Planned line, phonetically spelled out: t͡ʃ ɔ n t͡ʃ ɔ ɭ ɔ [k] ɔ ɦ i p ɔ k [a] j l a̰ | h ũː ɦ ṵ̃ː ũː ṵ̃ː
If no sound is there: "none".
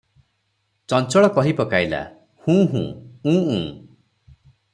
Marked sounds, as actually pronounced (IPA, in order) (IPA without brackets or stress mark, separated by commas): k, a